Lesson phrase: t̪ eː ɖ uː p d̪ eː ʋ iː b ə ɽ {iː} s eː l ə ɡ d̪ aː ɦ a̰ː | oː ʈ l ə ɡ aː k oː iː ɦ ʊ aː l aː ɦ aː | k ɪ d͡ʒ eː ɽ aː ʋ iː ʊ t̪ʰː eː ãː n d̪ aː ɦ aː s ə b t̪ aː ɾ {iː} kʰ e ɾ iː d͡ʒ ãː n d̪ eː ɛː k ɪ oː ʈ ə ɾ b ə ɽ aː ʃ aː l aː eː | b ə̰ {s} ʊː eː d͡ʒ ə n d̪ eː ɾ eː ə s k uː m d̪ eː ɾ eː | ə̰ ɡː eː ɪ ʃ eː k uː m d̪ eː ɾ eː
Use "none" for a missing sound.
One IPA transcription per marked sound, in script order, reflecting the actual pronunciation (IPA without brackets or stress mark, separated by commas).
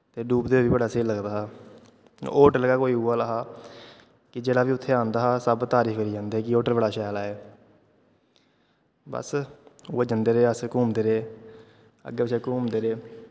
aː, iː, s